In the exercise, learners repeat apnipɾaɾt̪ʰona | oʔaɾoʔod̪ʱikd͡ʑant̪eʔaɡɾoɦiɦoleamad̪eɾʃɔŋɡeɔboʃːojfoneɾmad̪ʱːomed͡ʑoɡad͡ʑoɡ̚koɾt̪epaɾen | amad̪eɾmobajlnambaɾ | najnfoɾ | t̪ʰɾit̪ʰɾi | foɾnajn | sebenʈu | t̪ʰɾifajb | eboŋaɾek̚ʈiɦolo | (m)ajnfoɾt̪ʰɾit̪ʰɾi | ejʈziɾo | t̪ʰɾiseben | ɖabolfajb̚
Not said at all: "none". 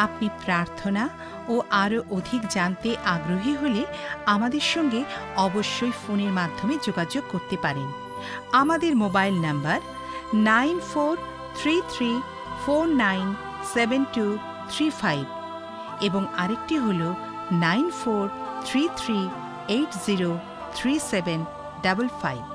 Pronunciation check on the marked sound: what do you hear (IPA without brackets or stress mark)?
n